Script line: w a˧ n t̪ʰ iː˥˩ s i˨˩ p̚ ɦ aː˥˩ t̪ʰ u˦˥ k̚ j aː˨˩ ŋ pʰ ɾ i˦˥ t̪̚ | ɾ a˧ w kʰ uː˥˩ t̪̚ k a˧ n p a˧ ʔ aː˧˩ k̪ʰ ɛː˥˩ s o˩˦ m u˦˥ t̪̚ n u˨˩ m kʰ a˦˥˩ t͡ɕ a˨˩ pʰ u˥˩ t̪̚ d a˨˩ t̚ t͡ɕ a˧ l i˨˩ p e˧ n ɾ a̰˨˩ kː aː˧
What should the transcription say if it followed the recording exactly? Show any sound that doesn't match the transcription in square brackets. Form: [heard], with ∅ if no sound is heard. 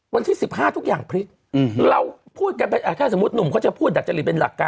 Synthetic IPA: w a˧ n t̪ʰ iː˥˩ s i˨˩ p̚ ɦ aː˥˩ t̪ʰ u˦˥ k̚ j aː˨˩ ŋ pʰ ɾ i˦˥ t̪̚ | ɾ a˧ w [pʰ] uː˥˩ t̪̚ k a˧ n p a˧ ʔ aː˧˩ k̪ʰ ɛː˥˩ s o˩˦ m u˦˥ t̪̚ n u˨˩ m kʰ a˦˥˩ t͡ɕ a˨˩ pʰ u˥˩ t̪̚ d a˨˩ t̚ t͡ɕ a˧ l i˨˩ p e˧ n [l] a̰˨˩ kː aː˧